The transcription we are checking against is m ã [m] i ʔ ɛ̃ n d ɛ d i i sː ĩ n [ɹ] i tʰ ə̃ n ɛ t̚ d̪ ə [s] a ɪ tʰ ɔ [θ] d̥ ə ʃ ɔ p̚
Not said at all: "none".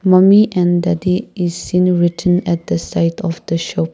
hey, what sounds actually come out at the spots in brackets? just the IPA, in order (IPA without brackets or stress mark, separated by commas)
m, ɹ, s, f